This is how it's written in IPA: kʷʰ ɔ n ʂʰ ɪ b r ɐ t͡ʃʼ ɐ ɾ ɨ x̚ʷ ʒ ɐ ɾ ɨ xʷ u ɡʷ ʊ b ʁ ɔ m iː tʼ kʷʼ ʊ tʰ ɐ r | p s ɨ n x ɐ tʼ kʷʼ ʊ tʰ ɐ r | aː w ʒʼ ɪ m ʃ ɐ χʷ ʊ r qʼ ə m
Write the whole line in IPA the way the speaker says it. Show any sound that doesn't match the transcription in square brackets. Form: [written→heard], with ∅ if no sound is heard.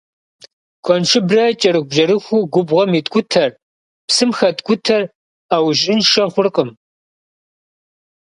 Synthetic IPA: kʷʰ ɔ n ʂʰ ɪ b r ɐ t͡ʃʼ ɐ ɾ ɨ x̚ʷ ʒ ɐ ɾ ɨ xʷ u ɡʷ ʊ b ʁ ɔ m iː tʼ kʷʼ ʊ tʰ ɐ r | p s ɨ [n→m] x ɐ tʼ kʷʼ ʊ tʰ ɐ r | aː w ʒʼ ɪ [m→n] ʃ ɐ χʷ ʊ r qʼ ə m